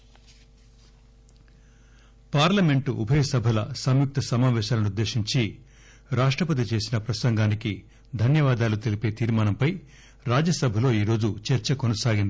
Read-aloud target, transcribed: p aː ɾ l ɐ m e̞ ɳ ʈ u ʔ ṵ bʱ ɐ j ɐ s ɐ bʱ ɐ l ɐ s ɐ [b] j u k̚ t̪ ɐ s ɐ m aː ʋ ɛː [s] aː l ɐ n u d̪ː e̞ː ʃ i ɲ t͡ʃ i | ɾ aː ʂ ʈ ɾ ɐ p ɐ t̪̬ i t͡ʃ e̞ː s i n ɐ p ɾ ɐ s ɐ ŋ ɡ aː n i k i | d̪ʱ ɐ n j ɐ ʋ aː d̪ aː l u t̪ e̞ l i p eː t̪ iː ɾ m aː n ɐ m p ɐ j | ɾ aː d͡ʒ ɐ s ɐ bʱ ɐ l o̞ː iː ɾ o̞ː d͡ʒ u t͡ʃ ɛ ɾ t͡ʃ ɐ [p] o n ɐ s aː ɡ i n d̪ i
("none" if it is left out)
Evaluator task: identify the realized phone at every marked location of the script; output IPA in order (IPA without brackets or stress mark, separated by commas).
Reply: m, ʃ, k